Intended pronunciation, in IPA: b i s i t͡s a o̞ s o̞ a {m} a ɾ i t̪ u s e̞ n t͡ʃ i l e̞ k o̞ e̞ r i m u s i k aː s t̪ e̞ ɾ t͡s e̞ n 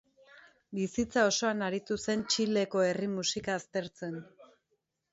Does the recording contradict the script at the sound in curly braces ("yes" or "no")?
yes